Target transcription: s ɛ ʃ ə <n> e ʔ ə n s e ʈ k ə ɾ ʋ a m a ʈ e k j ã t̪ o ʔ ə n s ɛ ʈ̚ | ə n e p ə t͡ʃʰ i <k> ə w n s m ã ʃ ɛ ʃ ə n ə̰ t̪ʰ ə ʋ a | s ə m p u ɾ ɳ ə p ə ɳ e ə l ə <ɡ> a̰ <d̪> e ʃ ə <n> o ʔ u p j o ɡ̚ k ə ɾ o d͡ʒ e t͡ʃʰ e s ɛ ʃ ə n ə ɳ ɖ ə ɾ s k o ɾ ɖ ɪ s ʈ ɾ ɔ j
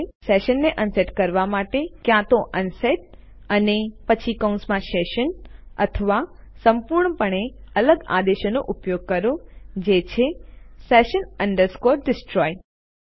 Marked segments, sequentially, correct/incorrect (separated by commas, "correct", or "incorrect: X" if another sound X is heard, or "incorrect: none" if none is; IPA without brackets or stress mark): incorrect: nː, correct, correct, correct, correct